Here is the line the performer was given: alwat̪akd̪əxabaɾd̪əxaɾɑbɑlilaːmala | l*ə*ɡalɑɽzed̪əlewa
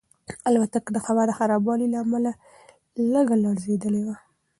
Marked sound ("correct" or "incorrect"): correct